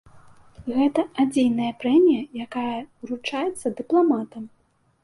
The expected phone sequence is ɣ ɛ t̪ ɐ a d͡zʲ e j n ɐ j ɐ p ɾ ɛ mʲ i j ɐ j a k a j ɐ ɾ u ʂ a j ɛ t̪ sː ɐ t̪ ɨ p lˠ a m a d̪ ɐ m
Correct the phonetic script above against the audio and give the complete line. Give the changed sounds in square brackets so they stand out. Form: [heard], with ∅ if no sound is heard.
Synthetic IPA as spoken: ɣ ɛ t̪ ɐ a d͡zʲ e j n ɐ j ɐ p ɾ ɛ mʲ i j ɐ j a k a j ɐ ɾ u [t͡ʂ] a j ɛ t̪ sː ɐ [d̪] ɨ p lˠ a m a [t̪] ɐ m